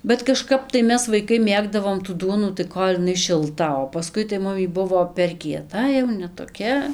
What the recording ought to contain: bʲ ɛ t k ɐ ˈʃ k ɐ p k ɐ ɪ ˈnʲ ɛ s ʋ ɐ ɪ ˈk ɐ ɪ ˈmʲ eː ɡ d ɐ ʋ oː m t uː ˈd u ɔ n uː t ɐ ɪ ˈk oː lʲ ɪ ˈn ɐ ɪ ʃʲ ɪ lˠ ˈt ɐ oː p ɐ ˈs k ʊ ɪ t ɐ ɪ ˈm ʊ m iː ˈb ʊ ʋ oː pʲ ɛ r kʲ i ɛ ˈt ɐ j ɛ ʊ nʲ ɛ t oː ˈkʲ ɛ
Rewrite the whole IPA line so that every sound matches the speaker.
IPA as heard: bʲ ɛ t k ɐ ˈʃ k ɐ p t ɐ ɪ ˈmʲ ɛ s ʋ ɐ ɪ ˈk ɐ ɪ ˈmʲ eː ɡ d ɐ ʋ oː m t uː ˈd u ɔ n uː t ɐ ɪ ˈk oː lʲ ɪ ˈn ɐ ɪ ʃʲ ɪ lˠ ˈt ɐ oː p ɐ ˈs k ʊ ɪ t ɐ ɪ ˈm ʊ m iː ˈb ʊ ʋ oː pʲ ɛ r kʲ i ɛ ˈt ɐ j ɛ ʊ nʲ ɛ t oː ˈkʲ ɛ